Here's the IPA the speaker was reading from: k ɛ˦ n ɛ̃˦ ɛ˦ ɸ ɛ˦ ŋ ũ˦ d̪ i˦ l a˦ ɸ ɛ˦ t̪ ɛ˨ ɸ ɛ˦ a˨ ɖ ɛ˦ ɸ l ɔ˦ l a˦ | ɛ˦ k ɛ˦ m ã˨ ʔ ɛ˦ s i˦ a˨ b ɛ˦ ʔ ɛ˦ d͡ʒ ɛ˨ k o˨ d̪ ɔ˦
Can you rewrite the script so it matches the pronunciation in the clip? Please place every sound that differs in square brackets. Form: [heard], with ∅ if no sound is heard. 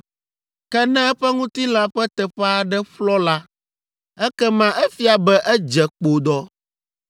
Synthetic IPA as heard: k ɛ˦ n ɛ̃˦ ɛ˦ ɸ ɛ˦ ŋ ũ˦ [t̪] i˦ l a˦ ɸ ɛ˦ t̪ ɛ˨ ɸ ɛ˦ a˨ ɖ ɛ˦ ɸ l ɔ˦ l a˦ | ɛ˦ k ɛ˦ m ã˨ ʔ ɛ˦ [f] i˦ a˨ b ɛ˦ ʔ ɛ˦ d͡ʒ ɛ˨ [k͡p] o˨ d̪ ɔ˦

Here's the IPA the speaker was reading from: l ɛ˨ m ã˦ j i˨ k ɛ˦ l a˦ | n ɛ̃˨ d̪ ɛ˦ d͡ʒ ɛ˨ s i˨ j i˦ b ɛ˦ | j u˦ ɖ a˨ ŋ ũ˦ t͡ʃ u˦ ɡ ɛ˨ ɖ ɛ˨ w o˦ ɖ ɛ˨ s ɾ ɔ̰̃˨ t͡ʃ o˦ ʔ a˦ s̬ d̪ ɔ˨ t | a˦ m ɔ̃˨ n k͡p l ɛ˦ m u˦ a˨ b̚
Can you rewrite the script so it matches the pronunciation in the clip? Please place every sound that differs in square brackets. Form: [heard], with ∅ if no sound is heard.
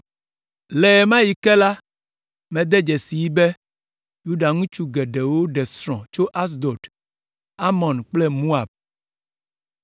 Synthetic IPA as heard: l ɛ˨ m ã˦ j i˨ k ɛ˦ l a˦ | [m] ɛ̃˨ d̪ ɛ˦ d͡ʒ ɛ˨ s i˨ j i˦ b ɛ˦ | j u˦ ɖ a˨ ŋ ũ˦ t͡ʃ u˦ ɡ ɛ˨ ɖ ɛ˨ w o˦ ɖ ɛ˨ s ɾ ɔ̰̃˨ t͡ʃ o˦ ʔ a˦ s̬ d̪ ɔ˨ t | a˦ m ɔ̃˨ n k͡p l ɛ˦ m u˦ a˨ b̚

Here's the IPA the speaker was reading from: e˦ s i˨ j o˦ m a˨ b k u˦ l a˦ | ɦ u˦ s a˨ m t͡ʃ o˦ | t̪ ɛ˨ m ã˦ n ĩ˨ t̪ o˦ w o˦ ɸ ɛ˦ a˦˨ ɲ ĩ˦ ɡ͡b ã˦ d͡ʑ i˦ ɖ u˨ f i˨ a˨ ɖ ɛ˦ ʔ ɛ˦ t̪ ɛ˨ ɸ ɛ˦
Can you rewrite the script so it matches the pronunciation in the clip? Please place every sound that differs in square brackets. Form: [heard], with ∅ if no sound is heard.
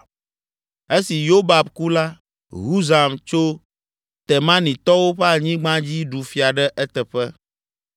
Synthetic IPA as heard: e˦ s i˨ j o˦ [b] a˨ b k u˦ l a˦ | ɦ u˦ [z] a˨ m t͡ʃ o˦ | t̪ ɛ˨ m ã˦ n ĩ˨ t̪ [ɔ˦] w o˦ ɸ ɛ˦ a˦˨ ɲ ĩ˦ ɡ͡b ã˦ d͡ʑ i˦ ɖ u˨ f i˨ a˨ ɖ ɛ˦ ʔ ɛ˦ t̪ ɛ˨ ɸ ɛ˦

